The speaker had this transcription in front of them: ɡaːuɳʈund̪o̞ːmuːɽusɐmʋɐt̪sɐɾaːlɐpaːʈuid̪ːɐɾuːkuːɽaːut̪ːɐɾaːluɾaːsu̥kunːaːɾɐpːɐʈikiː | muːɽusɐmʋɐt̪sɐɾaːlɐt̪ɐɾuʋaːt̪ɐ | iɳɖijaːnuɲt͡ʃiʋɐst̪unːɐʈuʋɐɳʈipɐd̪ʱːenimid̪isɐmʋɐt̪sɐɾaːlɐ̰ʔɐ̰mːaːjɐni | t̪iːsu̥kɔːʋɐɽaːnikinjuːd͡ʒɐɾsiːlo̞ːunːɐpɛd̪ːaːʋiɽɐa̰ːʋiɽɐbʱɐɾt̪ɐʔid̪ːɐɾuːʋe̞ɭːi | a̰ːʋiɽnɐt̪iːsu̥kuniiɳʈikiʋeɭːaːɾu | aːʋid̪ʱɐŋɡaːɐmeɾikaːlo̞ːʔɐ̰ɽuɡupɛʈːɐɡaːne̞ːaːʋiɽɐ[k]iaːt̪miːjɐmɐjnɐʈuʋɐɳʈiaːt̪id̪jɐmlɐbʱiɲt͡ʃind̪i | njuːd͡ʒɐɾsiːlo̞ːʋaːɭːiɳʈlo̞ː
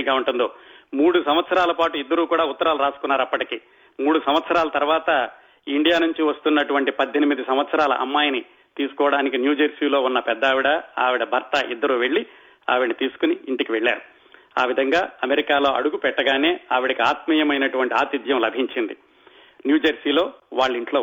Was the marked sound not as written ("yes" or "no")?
no